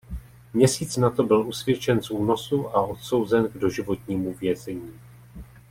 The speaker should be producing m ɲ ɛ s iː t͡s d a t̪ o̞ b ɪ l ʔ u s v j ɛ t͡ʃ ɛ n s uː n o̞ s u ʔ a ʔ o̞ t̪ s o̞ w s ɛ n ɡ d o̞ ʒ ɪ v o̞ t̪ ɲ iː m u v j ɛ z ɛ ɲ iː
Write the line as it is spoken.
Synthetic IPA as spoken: m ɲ ɛ s iː t͡s n a t̪ o̞ b ɪ l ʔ u s v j ɛ t͡ʃ ɛ n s uː n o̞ s u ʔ a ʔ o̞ t̪ s o̞ w z ɛ n ɡ d o̞ ʒ ɪ v o̞ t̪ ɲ iː m u v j ɛ z ɛ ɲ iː